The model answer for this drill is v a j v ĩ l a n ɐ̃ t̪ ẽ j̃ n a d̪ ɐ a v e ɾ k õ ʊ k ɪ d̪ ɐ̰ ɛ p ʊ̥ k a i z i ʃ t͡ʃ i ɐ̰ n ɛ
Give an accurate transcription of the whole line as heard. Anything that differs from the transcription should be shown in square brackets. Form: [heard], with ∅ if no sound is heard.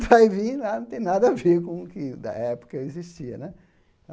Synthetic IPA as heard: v a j v ĩ l a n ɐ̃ t̪ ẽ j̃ n a d̪ ɐ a v e ɾ k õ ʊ k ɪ d̪ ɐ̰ ɛ p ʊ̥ k [ɐ] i z i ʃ t͡ʃ i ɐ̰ n ɛ

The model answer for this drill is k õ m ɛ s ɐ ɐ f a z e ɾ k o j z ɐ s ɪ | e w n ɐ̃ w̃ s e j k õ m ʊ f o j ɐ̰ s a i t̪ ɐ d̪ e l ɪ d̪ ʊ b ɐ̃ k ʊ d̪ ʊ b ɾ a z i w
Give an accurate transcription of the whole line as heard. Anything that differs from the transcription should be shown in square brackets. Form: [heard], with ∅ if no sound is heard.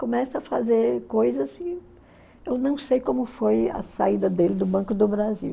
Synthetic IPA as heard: k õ m ɛ s ɐ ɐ f a z e ɾ k o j z ɐ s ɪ | e w n ɐ̃ w̃ s e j k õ m ʊ f o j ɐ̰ s a i [d̪] ɐ d̪ e l ɪ d̪ ʊ b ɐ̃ k ʊ d̪ ʊ b ɾ a z i w

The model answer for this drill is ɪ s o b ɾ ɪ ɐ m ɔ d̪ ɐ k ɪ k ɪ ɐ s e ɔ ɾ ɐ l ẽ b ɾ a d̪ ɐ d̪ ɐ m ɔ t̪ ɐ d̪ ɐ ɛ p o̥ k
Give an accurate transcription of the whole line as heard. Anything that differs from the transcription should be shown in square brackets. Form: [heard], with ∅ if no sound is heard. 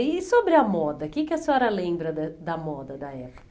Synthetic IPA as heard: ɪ s o b ɾ ɪ ɐ m ɔ d̪ ɐ k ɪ k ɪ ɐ s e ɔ ɾ ɐ l ẽ b ɾ [ɐ] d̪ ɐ d̪ ɐ m ɔ [d̪] ɐ d̪ ɐ ɛ p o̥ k

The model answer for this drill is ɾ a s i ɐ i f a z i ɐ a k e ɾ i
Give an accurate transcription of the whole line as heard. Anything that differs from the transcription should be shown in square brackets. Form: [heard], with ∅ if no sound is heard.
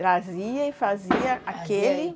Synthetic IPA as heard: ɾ a [z] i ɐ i f a z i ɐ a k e [l] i

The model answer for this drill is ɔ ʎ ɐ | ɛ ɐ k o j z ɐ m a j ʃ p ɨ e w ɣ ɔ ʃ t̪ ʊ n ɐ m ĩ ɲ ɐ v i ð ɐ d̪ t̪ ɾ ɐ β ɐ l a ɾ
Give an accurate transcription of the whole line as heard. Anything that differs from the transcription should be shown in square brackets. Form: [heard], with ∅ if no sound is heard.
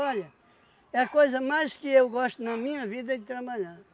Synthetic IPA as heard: ɔ ʎ ɐ | ɛ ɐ k o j z ɐ m a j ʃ [k] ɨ e w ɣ ɔ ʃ t̪ [u] n ɐ m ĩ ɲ ɐ v i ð ɐ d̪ t̪ ɾ ɐ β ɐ [ʎ] a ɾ

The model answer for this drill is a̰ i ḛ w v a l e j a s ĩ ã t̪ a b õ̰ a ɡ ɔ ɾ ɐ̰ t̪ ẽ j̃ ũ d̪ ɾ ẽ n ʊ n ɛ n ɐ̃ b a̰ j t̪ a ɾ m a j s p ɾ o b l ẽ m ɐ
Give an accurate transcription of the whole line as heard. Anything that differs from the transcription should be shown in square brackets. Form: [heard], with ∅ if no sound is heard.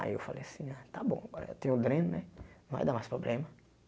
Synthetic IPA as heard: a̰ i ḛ w [f] a l e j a s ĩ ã t̪ a b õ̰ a ɡ ɔ ɾ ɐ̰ t̪ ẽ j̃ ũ d̪ ɾ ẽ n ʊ n ɛ n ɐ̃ [v] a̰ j [d̪] a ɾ m a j s p ɾ o b l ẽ m ɐ

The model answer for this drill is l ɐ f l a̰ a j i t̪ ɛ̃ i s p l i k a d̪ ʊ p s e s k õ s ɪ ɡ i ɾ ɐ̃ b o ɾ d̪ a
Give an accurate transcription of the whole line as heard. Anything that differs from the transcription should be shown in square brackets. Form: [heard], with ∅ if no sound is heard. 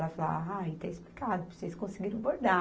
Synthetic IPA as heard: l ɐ f l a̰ a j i t̪ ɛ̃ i s p l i k a d̪ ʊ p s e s k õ s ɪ ɡ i ɾ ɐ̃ b o ɾ d̪ a

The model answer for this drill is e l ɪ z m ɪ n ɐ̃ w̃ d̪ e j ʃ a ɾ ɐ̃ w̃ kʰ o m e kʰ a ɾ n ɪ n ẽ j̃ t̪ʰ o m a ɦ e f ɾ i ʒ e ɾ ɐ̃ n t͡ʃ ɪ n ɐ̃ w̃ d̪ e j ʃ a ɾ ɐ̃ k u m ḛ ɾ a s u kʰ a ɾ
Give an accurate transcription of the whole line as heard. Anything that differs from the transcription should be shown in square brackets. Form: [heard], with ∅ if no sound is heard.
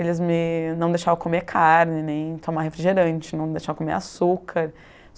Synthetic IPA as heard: e l ɪ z m ɪ n ɐ̃ w̃ d̪ e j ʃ a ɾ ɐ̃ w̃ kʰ o m e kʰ a ɾ n ɪ n ẽ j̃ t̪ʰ o m a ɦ e f ɾ i ʒ e ɾ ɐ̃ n t͡ʃ ɪ n ɐ̃ w̃ d̪ e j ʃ a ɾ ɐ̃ k [o] m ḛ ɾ a s u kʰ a ɾ

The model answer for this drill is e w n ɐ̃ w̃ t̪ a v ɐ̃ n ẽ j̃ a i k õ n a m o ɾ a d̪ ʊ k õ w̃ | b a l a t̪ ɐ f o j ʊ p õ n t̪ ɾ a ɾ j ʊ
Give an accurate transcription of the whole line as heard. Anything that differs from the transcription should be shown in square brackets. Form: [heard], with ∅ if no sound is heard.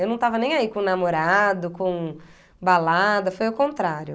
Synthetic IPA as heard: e w n ɐ̃ w̃ t̪ a v [ɐ] n ẽ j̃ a i k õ n a m o ɾ a d̪ ʊ k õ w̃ | b a l a [d̪] ɐ f o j ʊ [k] õ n t̪ ɾ a ɾ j ʊ

